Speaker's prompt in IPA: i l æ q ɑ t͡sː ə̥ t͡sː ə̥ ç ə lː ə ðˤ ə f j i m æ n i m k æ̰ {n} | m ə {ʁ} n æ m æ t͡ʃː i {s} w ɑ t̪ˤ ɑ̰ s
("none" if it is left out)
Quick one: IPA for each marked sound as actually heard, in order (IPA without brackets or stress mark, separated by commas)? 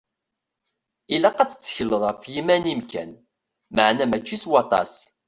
n, ʕ, s